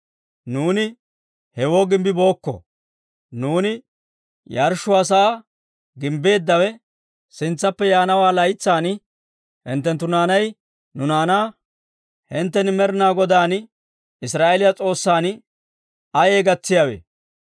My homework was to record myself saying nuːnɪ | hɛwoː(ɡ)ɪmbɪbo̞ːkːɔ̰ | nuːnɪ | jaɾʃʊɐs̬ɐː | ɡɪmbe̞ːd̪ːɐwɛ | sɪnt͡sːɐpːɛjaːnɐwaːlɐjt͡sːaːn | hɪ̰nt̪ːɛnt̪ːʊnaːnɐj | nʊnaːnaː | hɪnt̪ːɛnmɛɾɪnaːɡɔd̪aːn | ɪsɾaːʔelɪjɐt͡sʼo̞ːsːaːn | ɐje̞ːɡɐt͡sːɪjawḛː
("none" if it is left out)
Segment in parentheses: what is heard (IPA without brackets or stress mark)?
ɡ